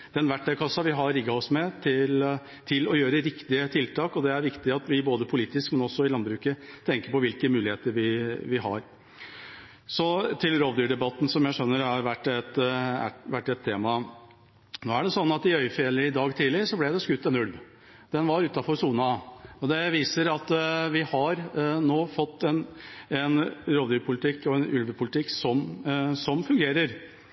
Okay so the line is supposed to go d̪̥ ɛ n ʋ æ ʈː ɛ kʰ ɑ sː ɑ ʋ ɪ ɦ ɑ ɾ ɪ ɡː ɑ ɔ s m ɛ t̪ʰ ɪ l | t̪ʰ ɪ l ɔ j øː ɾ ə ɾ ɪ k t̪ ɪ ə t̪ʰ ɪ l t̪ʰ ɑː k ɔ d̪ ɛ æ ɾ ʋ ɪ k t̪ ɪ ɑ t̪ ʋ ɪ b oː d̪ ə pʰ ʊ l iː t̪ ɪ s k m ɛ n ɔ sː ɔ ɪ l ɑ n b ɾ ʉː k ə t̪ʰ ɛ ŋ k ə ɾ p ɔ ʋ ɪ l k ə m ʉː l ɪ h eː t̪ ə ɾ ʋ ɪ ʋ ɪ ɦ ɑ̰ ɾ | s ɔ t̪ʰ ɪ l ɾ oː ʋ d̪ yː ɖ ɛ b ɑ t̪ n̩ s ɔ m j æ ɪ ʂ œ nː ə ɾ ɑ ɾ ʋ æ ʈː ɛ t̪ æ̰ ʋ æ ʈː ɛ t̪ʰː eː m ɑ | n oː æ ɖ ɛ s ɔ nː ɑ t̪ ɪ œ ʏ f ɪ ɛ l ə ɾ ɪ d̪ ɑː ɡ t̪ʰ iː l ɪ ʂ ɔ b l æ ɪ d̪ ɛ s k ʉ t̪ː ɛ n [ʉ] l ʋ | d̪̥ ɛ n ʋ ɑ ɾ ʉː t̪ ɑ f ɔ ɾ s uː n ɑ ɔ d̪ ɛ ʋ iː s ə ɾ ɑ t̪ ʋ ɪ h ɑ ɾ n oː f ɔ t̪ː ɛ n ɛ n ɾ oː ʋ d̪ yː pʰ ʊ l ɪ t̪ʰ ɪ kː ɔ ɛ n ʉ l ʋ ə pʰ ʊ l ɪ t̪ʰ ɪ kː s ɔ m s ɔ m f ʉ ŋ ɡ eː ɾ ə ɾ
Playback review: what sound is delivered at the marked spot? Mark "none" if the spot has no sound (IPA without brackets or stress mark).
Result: ʉ